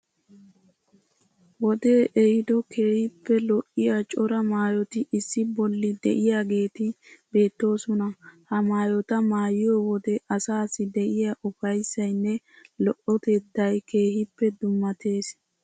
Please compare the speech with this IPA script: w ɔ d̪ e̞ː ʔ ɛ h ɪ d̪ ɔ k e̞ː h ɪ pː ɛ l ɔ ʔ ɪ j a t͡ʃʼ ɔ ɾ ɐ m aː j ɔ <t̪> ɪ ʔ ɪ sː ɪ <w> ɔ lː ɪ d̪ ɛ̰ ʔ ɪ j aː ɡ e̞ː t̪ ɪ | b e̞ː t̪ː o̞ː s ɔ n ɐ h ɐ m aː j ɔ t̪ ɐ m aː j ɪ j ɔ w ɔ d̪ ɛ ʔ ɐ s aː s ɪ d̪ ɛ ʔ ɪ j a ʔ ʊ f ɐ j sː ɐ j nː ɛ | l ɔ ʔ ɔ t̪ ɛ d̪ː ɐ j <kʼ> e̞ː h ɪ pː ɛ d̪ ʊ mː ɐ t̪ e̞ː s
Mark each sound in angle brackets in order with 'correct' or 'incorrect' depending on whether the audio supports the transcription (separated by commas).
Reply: correct, incorrect, incorrect